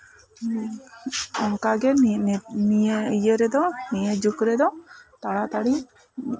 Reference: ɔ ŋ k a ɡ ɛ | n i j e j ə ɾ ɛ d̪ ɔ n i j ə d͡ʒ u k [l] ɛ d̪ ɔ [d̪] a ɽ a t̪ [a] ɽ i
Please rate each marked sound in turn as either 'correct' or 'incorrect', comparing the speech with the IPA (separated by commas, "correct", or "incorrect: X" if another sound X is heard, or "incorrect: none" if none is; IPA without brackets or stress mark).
incorrect: ɾ, incorrect: t̪, correct